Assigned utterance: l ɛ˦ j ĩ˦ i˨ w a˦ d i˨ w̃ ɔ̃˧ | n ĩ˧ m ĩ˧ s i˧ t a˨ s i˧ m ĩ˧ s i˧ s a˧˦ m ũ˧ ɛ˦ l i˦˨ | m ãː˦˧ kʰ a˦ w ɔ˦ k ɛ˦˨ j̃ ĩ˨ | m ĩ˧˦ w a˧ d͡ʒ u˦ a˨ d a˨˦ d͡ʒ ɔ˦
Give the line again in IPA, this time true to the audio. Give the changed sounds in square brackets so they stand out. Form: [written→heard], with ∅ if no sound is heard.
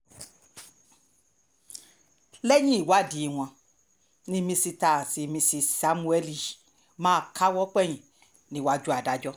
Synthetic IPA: l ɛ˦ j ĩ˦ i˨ w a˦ d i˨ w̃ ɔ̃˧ | n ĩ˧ m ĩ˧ s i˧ t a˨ s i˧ m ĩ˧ s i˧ s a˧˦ m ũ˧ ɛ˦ l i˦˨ | m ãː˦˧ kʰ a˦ w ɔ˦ [k→k͡p] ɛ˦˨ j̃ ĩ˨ | [m→n] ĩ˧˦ w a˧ d͡ʒ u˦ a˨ d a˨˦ d͡ʒ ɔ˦

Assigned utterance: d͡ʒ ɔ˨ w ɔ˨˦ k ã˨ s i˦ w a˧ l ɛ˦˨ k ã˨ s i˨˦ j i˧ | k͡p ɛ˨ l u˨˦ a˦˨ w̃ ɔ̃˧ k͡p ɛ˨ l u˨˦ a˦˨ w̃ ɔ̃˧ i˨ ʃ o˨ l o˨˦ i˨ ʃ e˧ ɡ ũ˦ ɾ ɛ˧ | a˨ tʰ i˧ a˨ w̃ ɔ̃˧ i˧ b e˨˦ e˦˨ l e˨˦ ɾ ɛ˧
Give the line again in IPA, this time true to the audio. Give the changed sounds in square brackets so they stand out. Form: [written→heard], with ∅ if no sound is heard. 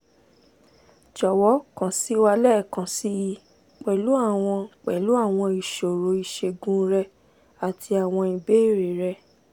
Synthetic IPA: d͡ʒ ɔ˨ w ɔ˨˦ k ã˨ s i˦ w a˧ l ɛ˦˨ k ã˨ s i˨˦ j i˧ | k͡p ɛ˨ l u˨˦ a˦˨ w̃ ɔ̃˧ k͡p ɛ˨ l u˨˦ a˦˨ w̃ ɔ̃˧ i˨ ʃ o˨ [l→ɾ] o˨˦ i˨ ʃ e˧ ɡ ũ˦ ɾ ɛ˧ | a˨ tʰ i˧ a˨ w̃ ɔ̃˧ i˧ b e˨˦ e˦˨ [l→ɾ] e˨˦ ɾ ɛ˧

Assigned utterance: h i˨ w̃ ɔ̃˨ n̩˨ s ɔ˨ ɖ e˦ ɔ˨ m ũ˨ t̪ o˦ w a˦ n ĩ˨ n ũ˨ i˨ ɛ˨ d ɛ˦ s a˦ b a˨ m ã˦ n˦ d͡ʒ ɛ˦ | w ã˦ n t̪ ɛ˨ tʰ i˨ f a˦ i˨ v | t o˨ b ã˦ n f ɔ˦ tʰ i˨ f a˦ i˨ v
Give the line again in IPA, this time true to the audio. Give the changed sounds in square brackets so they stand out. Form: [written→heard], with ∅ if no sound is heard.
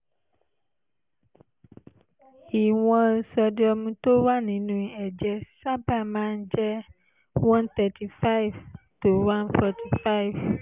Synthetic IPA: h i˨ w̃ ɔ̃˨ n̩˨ s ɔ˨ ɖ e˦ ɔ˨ m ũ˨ t̪ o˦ w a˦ n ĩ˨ n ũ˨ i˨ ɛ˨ [d→d͡ʒ] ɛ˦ s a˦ b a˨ m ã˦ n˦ d͡ʒ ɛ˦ | w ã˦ n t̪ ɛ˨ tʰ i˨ f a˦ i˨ v | t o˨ [b→w] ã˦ n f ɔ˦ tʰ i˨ f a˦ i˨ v

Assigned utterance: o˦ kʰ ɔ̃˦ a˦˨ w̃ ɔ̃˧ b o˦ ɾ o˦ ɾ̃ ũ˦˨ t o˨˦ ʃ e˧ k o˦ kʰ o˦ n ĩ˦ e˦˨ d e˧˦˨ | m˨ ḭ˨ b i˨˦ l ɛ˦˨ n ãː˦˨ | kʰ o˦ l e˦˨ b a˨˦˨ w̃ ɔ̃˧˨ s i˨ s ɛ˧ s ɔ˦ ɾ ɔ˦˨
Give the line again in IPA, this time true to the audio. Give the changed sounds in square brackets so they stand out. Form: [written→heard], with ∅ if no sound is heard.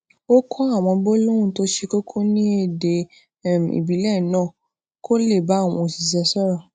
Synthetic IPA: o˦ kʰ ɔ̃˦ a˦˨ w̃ ɔ̃˧ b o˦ [ɾ→l] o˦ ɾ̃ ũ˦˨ t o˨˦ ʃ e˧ k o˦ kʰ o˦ n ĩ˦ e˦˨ d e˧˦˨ | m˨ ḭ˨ b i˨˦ l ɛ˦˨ n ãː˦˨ | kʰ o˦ l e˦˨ b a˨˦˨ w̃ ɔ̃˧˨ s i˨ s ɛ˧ s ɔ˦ ɾ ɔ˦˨

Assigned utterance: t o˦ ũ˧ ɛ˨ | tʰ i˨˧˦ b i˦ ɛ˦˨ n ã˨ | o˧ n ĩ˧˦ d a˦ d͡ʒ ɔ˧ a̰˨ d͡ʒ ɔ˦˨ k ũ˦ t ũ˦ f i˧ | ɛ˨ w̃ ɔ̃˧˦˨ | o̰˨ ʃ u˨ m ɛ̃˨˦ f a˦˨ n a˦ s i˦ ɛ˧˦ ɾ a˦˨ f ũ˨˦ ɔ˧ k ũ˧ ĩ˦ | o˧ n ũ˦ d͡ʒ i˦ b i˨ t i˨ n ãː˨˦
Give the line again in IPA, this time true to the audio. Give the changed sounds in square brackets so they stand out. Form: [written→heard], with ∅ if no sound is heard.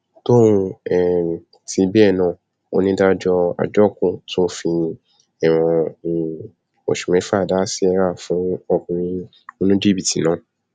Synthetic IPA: t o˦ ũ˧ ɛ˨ | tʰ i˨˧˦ b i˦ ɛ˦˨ n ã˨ | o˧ n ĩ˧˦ d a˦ d͡ʒ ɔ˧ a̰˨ d͡ʒ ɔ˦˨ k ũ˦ t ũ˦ f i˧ | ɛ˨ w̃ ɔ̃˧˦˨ | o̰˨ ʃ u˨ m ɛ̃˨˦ f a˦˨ [n→d] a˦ s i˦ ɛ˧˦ ɾ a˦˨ f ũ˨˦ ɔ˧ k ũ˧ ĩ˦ | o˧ n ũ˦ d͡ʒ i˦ b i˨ t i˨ n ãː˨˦

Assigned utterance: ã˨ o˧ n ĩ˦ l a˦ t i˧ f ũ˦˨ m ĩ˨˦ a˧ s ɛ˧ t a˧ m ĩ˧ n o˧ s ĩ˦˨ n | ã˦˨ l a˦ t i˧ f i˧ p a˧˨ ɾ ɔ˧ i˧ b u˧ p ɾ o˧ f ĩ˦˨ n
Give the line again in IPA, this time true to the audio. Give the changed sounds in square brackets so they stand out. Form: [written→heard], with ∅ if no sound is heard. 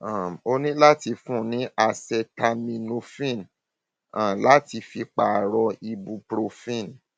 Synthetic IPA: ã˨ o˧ n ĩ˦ l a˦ t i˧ f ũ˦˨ [m→n] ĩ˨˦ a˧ s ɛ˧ t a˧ m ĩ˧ n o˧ [s→f] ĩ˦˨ n | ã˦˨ l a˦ t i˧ f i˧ [p→k͡p] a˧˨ ɾ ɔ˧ i˧ b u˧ p ɾ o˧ f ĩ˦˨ n

